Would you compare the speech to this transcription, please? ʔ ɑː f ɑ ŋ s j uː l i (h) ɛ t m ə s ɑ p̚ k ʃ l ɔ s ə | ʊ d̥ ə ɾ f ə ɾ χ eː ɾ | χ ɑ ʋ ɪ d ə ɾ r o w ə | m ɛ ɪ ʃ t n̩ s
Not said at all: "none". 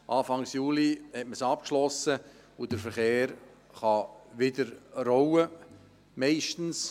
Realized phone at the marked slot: h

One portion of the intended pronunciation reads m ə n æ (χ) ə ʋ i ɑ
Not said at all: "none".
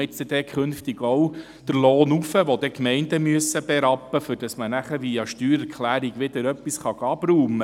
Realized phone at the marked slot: χ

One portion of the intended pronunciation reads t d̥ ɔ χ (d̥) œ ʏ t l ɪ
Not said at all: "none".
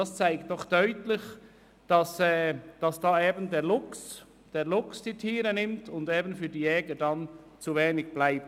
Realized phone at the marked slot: d̥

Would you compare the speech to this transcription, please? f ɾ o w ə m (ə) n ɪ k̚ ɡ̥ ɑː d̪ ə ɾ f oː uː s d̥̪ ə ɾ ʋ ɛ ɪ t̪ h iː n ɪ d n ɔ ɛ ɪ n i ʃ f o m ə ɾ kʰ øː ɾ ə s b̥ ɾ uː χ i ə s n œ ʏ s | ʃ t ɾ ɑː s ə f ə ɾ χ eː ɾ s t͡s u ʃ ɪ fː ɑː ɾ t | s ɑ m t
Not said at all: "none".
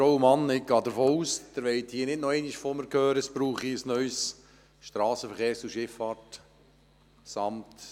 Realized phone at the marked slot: ɑ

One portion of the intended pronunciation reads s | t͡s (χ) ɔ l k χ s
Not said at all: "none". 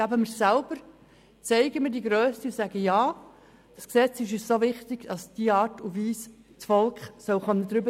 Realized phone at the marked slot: f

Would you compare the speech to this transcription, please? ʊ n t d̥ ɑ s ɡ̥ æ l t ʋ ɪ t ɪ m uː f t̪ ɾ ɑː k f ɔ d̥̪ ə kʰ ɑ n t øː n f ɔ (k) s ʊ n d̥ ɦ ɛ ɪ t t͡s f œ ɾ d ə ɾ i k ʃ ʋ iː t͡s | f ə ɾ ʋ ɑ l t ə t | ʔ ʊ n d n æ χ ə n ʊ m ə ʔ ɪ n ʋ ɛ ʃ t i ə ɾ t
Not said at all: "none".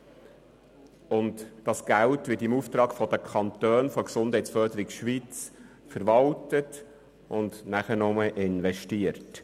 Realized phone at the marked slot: k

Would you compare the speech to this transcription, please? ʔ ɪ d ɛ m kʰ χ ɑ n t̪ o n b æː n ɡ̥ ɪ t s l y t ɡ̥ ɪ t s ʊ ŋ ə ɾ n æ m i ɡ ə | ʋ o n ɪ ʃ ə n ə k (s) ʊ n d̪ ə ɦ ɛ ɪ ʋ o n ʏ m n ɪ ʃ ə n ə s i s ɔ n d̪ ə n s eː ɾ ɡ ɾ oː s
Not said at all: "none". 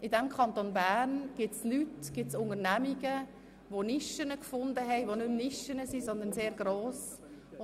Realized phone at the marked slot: f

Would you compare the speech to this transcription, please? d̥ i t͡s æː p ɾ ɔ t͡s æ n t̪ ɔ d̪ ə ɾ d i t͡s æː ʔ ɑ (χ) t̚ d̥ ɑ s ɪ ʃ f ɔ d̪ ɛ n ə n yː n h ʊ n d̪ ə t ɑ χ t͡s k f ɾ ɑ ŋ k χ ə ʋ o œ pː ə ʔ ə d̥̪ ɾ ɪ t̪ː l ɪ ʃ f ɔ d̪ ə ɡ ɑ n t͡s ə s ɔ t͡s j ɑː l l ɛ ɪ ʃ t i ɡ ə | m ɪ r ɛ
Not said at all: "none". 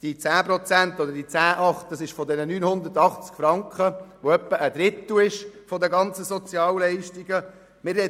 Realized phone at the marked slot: χ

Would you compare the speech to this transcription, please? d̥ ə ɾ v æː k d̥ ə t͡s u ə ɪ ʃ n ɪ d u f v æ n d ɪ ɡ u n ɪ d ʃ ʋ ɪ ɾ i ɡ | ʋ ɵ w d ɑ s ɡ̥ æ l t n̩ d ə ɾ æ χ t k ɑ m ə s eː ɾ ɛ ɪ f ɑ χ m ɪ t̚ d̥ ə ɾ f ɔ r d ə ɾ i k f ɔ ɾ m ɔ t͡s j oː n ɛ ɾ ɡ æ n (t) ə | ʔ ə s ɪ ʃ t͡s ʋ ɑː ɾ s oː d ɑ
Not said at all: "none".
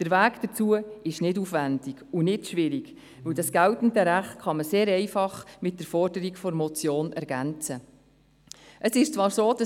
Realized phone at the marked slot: t͡s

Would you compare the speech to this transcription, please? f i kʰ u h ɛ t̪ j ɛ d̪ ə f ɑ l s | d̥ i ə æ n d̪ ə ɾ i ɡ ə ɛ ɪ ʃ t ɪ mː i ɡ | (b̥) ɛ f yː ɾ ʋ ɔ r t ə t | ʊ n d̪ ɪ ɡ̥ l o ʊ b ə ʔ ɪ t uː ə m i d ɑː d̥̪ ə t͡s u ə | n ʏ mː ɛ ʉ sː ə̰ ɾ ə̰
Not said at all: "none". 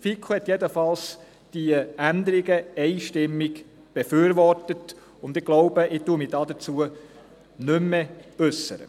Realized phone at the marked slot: b̥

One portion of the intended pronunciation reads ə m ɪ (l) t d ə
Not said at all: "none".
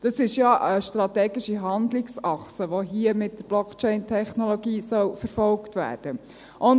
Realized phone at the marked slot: none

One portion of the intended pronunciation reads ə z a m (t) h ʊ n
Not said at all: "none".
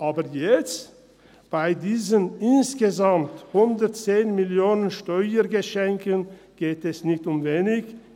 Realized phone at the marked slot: t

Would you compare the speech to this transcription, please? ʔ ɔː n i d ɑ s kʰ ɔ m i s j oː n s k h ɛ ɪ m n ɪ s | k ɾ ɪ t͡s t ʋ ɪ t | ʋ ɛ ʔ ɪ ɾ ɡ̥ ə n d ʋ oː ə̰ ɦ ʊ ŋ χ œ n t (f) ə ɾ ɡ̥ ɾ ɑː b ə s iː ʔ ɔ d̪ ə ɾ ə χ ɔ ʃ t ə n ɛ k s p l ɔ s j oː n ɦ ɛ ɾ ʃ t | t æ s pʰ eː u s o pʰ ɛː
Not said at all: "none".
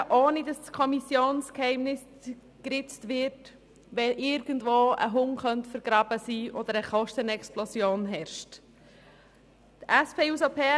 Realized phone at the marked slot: f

